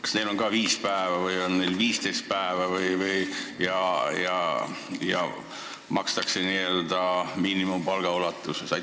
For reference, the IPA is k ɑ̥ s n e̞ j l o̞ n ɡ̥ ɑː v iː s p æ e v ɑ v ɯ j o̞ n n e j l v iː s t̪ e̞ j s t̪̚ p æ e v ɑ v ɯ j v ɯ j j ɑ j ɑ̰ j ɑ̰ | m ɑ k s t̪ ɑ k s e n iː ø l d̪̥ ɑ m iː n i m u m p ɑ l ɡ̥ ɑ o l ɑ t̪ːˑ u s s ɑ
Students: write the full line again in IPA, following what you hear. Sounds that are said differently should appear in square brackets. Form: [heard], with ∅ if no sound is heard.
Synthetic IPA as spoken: k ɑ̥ s n e̞ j l o̞ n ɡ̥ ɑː v iː s p æ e v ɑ v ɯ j o̞ n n e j l v iː s t̪ e̞ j s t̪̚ p æ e v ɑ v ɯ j v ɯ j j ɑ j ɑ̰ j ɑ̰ | m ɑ k s t̪ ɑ k s e n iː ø l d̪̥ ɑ m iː n i m u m p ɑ l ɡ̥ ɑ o l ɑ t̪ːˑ u s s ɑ